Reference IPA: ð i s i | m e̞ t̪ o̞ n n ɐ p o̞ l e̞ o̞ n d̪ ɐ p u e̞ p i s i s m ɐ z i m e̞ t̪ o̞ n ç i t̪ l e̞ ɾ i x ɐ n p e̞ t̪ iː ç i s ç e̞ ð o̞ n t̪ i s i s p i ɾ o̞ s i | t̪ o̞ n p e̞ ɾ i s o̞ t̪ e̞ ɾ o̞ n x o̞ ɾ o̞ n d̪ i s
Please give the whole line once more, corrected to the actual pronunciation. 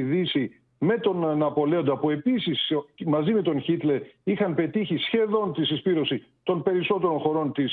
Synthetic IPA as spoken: ð i s i | m e̞ t̪ o̞ n n ɐ p o̞ l e̞ o̞ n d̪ ɐ p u e̞ p i s i s m ɐ z i m e̞ t̪ o̞ n ç i t̪ l e̞ ɾ i x ɐ n p e̞ t̪ i ç i s ç e̞ ð o̞ n t̪ i s i s p i ɾ o̞ s i | t̪ o̞ n p e̞ ɾ i s o̞ t̪ e̞ ɾ o̞ n x o̞ ɾ o̞ n t̪ i s